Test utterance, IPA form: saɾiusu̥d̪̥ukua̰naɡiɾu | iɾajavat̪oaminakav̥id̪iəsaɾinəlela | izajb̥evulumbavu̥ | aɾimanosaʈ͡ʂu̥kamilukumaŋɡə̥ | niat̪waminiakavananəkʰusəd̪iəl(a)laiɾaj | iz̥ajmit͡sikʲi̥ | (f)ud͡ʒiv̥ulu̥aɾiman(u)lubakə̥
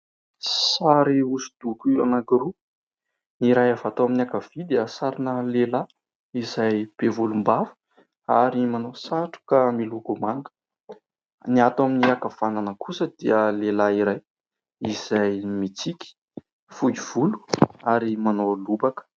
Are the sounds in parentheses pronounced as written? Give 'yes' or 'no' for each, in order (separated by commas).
no, yes, no